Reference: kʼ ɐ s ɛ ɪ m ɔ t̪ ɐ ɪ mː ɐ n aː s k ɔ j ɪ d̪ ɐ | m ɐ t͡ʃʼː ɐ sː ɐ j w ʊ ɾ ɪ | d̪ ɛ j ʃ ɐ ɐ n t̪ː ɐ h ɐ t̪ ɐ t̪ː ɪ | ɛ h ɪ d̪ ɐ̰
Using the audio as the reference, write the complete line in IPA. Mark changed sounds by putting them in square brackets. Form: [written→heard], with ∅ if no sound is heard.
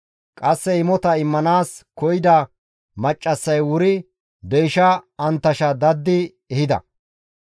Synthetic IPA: kʼ ɐ [s→sː] ɛ ɪ m ɔ t̪ ɐ ɪ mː ɐ n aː s k ɔ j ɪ d̪ ɐ | m ɐ t͡ʃʼː ɐ sː ɐ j w ʊ ɾ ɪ | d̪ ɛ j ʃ ɐ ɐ n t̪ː ɐ [h→ʃ] ɐ [t̪→d̪] ɐ [t̪ː→d̪ː] ɪ | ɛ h ɪ d̪ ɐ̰